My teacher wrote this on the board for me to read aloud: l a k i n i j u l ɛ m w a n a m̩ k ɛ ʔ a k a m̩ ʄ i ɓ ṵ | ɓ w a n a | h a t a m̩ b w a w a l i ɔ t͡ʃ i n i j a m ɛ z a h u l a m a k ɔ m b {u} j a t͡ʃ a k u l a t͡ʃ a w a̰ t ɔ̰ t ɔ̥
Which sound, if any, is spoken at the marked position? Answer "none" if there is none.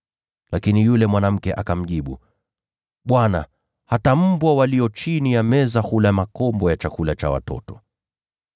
ɔ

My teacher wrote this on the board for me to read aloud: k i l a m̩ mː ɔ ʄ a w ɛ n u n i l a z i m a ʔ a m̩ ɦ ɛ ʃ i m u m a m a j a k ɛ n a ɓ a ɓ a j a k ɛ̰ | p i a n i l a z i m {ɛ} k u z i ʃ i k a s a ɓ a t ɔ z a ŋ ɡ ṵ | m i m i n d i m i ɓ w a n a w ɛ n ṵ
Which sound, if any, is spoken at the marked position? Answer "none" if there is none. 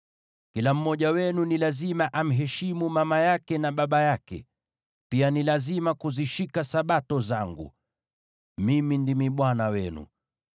a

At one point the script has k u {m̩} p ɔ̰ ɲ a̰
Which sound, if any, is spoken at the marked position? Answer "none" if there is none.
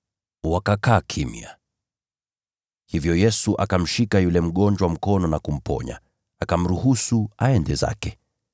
m̩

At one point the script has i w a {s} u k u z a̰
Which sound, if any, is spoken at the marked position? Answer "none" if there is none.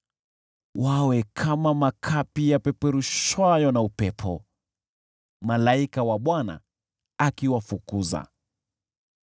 f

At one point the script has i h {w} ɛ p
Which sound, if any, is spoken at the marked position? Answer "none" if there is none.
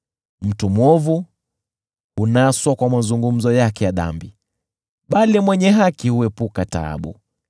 u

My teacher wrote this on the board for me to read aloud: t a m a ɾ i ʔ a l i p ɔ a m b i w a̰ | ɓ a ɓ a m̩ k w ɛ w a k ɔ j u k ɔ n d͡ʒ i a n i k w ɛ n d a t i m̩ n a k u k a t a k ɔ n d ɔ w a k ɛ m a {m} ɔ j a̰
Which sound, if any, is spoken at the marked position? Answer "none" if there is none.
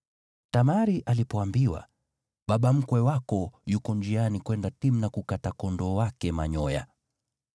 ɲ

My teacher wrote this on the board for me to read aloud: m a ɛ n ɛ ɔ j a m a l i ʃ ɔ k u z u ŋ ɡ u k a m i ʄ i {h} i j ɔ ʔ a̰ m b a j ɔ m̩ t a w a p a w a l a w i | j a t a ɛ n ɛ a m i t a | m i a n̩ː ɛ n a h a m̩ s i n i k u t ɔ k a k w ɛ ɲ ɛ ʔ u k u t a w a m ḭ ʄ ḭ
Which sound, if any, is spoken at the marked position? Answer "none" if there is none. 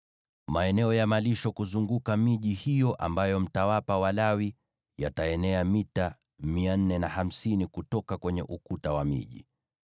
h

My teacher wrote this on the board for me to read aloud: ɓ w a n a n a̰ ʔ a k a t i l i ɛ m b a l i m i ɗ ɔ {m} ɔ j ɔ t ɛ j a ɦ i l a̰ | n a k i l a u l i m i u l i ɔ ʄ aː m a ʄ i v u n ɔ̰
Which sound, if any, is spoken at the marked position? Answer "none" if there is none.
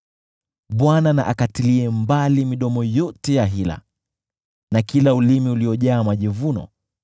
m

